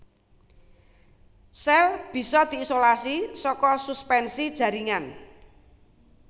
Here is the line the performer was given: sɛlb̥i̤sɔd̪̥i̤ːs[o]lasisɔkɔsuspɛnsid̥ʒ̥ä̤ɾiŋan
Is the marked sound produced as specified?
yes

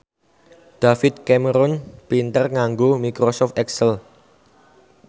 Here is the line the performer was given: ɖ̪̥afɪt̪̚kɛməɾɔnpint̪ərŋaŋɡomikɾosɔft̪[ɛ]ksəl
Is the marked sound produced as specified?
yes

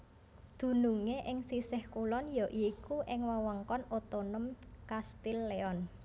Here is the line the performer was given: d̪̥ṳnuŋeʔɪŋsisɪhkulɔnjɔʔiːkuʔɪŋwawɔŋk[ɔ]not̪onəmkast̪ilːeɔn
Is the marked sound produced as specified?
yes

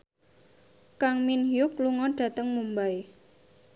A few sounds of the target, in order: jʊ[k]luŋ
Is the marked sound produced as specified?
yes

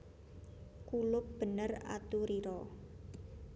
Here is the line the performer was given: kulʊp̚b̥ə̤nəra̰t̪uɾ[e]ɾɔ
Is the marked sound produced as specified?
no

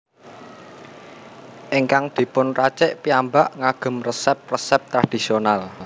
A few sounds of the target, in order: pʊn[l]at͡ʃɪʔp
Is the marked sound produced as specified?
no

